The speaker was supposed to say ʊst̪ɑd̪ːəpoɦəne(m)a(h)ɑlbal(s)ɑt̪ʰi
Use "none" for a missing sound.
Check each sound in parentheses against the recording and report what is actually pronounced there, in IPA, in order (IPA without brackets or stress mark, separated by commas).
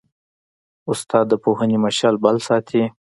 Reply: m, ʃ, s